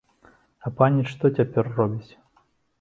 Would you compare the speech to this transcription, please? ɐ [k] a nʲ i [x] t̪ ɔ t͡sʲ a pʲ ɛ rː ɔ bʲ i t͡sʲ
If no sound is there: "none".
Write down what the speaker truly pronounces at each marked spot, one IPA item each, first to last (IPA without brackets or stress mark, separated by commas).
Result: p, ʂ